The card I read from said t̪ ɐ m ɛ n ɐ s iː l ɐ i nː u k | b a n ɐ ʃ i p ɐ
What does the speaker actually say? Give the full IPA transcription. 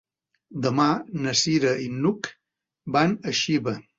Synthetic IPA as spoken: d̪ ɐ m a n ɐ s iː ɾ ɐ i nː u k | b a n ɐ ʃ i b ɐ